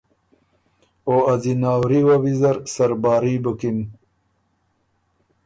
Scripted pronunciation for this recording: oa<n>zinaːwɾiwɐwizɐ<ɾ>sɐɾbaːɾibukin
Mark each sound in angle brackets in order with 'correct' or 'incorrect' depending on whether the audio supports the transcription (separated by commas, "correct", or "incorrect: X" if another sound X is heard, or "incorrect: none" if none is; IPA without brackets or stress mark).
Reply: incorrect: none, correct